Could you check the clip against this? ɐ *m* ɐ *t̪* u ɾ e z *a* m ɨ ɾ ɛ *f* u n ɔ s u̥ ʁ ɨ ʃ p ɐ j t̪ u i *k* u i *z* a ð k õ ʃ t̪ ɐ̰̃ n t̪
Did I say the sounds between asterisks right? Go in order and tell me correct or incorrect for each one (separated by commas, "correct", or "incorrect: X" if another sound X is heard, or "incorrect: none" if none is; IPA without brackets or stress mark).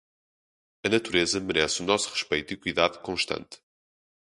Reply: incorrect: n, correct, incorrect: ɐ, incorrect: s, correct, incorrect: ð